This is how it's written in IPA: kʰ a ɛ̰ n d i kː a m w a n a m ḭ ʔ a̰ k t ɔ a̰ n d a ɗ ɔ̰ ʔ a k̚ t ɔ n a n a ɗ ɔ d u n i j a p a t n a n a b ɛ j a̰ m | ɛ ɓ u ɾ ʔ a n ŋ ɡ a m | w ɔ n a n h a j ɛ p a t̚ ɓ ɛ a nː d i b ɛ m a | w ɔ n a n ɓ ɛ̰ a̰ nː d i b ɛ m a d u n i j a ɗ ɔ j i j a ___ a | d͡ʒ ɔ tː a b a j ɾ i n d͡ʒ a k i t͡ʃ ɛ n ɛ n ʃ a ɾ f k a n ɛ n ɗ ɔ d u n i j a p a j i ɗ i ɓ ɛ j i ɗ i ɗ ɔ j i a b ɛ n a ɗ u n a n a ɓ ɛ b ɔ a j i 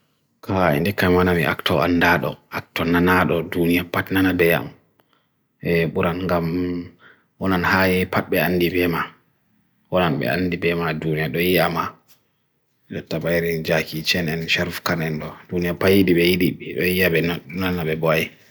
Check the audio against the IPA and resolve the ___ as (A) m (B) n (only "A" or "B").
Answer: A